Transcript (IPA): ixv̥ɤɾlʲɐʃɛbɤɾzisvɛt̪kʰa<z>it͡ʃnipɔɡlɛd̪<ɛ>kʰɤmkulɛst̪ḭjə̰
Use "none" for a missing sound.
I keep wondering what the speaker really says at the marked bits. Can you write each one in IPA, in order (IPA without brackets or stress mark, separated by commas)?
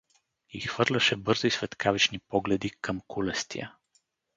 v, i